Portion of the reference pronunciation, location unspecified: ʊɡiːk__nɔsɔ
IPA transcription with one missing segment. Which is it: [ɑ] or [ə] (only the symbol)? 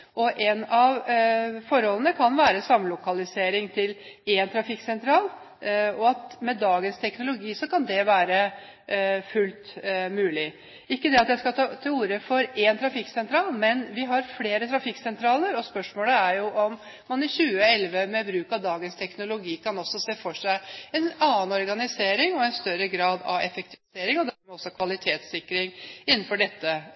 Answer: ɑ